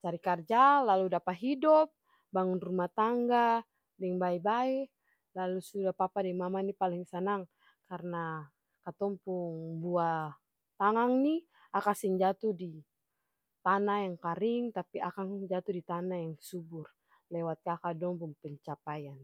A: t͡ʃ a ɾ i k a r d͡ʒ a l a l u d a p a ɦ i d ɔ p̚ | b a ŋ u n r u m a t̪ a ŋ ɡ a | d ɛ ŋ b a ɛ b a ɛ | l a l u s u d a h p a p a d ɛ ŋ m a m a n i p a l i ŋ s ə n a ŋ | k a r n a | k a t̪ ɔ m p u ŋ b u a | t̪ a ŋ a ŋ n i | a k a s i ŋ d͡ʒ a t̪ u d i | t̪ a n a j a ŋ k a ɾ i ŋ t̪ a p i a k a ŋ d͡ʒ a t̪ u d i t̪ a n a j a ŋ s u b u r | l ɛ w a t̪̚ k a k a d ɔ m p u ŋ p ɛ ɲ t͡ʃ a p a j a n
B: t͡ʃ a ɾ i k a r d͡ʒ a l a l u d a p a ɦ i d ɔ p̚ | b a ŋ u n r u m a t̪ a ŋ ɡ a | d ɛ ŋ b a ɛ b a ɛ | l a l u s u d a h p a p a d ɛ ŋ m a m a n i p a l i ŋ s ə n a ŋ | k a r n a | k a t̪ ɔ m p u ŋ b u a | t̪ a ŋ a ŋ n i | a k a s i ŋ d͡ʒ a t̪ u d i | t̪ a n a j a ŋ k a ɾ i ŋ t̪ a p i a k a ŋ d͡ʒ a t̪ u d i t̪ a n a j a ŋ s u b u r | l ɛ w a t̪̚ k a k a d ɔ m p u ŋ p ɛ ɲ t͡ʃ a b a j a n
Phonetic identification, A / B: A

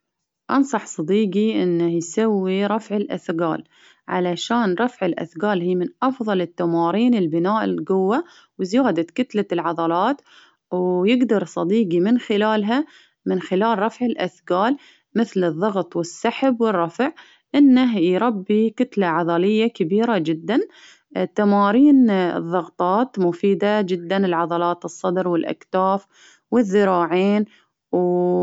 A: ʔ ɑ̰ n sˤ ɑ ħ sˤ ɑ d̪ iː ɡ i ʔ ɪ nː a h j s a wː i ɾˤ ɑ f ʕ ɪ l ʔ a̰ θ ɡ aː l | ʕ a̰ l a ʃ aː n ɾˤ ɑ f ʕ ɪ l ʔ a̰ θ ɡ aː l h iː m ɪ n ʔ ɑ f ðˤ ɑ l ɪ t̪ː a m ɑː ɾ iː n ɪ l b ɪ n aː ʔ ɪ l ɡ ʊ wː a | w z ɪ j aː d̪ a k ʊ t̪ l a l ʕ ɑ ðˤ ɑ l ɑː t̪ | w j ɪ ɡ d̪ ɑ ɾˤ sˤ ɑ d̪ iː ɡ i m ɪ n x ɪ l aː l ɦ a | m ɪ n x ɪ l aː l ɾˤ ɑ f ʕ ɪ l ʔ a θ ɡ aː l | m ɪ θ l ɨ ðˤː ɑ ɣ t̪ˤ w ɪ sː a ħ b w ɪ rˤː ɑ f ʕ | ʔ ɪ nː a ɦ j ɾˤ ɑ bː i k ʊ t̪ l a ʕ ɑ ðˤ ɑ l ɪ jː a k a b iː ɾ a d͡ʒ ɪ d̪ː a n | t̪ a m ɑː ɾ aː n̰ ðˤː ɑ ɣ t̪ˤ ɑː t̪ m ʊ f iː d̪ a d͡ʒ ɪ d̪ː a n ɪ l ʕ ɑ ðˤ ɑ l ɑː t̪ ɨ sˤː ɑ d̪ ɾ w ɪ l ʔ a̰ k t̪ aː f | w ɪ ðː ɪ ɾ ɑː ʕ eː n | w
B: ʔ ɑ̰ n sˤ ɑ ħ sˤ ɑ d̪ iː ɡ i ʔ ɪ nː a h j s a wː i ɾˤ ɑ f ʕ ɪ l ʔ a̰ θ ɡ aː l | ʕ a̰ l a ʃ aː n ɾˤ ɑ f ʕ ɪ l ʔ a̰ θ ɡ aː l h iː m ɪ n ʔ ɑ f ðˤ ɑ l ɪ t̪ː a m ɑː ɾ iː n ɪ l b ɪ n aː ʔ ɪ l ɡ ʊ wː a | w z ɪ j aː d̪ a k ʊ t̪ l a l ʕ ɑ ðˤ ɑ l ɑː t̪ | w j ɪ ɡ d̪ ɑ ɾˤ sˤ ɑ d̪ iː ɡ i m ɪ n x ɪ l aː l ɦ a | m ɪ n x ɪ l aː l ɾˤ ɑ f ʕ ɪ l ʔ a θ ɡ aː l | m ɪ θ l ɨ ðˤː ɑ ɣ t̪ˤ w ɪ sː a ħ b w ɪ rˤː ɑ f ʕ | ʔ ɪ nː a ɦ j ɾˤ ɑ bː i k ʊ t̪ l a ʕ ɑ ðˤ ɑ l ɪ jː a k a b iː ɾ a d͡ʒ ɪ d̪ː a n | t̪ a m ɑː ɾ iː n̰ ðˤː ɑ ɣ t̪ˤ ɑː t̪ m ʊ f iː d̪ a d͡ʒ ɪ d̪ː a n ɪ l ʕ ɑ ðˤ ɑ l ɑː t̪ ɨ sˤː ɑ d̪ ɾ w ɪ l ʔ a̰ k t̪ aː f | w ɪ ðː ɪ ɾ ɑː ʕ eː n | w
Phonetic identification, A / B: B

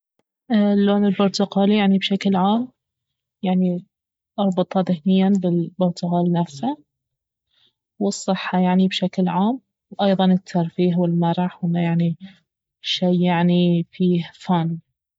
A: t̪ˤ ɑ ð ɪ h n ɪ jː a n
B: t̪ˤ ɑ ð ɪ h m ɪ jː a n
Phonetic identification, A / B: A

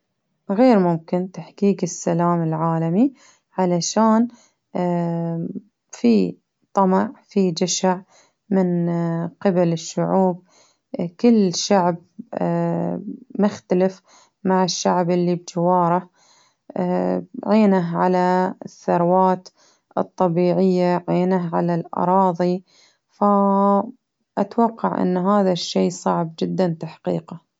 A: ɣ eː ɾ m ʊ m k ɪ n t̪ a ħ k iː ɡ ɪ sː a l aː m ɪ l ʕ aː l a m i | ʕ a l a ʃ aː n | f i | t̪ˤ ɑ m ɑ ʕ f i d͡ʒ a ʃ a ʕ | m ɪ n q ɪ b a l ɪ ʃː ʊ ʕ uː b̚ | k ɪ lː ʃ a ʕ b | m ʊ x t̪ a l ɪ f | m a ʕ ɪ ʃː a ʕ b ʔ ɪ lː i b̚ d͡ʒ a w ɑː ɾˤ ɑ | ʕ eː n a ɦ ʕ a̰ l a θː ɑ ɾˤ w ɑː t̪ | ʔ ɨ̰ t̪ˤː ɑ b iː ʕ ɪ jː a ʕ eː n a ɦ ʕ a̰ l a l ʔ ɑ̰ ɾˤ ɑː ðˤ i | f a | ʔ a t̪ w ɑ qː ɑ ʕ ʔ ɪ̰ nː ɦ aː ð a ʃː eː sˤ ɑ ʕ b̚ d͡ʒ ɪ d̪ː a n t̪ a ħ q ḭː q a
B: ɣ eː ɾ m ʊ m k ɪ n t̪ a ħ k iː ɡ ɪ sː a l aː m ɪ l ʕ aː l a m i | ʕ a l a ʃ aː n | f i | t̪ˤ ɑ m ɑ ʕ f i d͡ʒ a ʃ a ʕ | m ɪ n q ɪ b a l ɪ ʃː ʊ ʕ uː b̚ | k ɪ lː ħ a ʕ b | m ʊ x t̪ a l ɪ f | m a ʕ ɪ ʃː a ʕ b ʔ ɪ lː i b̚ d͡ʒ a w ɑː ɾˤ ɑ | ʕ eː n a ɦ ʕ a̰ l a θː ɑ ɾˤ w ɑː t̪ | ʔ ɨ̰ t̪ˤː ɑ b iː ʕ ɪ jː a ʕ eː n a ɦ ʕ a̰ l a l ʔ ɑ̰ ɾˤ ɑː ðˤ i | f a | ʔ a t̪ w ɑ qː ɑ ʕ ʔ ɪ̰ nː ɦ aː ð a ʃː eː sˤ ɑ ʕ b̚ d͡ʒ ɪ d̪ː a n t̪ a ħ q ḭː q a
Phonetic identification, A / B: A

